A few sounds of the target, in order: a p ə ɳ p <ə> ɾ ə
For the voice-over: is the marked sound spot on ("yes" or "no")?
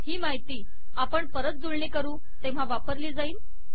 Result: yes